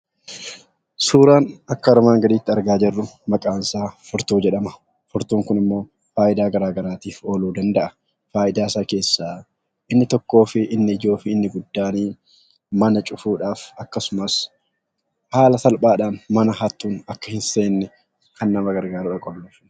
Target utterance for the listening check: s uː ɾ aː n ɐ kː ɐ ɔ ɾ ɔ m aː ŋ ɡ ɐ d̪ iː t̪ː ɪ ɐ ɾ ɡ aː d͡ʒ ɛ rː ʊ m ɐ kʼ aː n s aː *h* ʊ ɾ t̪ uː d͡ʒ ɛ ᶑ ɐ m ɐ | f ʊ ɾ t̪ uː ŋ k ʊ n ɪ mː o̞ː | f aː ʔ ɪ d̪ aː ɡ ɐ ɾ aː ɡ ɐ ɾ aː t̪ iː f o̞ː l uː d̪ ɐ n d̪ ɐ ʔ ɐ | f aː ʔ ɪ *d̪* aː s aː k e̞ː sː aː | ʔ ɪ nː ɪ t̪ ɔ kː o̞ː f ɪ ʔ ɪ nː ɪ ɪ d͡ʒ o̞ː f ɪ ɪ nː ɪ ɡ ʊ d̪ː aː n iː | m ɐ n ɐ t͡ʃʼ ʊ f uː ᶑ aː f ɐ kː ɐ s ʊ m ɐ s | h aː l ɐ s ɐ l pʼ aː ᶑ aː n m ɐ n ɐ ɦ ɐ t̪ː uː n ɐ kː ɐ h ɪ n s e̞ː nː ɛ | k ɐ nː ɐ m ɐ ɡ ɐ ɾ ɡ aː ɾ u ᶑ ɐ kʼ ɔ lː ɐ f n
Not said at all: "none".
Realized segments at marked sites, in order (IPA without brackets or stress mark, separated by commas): f, d̪